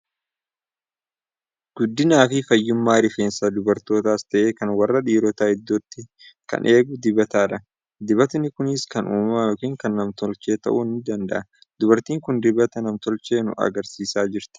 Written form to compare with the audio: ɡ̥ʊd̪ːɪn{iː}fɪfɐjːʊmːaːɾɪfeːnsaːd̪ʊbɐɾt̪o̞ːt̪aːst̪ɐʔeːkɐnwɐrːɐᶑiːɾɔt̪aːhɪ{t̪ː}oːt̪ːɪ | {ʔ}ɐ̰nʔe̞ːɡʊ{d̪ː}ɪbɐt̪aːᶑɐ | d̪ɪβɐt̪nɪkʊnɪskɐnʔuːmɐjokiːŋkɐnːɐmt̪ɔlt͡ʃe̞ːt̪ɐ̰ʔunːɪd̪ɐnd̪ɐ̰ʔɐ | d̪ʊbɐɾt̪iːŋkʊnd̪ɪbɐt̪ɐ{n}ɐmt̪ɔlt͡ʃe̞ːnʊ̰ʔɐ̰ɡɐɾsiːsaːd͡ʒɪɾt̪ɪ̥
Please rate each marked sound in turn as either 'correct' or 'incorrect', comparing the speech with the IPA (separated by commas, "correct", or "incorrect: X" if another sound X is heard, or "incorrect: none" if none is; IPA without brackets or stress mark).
incorrect: aː, incorrect: d̪ː, incorrect: k, incorrect: d̪, correct